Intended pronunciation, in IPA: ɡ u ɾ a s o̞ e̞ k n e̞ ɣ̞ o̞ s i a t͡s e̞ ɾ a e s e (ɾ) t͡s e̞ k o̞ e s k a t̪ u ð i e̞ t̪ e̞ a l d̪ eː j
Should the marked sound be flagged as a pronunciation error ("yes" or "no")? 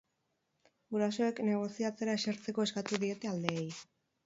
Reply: no